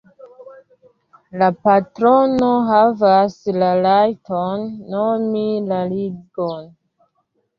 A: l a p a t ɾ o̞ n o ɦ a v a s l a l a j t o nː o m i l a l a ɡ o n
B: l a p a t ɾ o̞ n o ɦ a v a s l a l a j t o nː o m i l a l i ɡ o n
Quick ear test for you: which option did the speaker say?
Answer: B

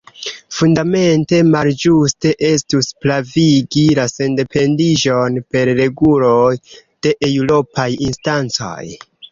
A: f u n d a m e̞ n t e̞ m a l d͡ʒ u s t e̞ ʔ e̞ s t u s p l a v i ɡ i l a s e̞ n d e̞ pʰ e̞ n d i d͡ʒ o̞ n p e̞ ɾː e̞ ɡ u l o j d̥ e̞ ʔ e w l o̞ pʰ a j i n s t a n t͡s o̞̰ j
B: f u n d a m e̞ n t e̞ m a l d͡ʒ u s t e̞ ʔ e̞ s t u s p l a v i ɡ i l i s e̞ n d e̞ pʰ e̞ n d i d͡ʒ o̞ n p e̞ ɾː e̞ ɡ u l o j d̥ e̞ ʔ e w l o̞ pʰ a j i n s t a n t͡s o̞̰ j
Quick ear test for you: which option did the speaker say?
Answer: A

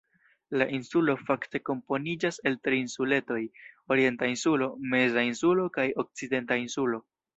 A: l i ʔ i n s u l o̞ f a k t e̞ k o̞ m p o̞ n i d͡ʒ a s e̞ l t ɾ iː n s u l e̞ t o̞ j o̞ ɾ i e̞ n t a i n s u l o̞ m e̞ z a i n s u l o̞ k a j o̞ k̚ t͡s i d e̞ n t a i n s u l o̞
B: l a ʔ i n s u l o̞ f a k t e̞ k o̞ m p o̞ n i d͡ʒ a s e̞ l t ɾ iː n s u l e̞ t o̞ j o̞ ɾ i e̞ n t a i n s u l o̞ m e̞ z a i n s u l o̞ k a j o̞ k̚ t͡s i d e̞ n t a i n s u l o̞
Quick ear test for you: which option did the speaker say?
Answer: B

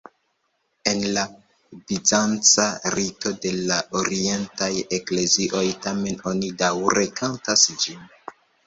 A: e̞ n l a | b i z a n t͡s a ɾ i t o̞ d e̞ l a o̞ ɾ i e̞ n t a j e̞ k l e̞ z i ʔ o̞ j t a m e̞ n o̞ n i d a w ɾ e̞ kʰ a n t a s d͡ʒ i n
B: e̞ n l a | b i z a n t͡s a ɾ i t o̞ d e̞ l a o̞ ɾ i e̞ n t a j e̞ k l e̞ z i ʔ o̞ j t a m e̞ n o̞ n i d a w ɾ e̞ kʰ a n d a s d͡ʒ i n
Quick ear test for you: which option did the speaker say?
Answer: A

